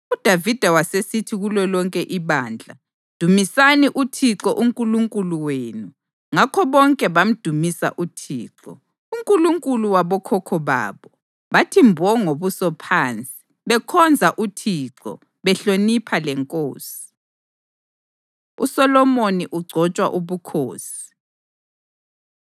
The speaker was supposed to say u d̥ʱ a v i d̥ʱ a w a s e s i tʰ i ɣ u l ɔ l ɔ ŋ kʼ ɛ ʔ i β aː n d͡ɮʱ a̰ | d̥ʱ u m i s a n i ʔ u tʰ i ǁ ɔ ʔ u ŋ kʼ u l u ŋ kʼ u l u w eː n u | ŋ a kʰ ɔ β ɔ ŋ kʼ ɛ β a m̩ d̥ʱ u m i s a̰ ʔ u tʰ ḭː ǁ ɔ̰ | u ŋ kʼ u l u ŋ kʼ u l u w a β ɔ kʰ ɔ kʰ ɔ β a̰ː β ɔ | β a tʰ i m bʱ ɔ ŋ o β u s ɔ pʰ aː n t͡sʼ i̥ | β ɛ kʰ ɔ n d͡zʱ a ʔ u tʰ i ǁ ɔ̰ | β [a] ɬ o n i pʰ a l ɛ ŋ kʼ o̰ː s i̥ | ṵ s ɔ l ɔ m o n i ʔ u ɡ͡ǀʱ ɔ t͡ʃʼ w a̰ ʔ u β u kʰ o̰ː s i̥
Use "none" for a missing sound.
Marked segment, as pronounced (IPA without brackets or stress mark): ɛ